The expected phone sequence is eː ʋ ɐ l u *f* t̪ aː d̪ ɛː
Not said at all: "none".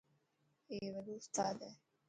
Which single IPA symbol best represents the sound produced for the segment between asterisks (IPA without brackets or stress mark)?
s